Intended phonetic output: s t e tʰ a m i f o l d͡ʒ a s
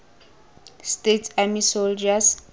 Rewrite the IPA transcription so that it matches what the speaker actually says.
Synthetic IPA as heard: s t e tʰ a m i s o l d͡ʒ a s